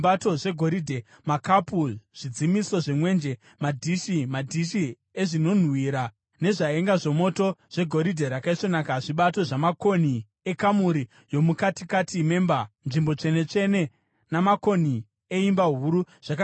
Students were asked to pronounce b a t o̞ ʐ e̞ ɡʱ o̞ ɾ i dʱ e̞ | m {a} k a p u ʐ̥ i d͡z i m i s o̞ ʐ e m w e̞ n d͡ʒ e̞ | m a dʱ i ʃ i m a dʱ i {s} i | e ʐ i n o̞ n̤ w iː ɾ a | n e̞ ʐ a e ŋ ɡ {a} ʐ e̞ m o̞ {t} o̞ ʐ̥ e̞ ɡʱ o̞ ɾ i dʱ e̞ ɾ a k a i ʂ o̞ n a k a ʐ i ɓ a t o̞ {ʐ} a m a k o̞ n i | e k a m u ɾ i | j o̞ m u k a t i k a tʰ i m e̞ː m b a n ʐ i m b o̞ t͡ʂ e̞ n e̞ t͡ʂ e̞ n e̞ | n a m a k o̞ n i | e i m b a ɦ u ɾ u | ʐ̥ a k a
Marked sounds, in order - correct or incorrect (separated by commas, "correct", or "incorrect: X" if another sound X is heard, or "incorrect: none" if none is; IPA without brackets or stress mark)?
correct, incorrect: ʃ, correct, correct, correct